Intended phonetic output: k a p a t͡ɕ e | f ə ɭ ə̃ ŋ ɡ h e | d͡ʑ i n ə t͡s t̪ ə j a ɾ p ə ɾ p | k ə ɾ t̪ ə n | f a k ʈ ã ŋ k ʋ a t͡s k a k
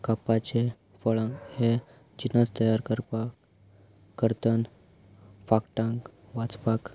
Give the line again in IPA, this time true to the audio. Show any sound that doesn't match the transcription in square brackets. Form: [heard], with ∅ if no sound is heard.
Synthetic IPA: k a p a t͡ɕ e | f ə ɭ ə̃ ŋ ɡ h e | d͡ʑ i n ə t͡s t̪ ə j a ɾ [k] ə ɾ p | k ə ɾ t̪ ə n | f a k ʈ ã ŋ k ʋ a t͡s [p] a k